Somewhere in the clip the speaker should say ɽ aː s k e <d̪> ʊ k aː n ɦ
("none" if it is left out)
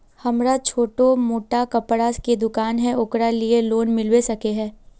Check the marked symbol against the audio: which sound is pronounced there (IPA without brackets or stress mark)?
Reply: d̪